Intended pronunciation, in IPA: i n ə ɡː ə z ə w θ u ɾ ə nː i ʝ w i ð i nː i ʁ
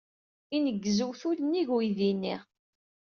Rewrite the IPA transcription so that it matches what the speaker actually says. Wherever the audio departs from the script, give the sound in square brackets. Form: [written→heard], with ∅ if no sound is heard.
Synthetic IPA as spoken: i n ə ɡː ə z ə w θ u [ɾ→l] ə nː i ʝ w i ð i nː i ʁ